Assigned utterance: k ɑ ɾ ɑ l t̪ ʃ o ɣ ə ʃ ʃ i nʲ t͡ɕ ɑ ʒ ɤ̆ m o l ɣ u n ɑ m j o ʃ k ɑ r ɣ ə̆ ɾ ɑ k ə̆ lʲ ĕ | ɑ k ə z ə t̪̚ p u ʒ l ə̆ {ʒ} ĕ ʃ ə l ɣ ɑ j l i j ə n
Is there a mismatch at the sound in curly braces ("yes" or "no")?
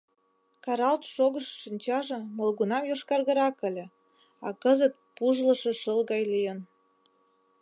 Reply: yes